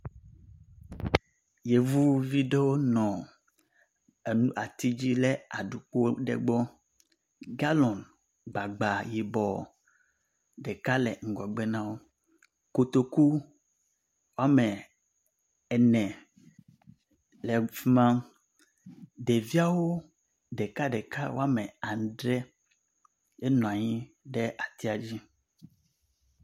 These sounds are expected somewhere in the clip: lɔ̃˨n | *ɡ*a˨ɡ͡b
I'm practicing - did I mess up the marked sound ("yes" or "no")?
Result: yes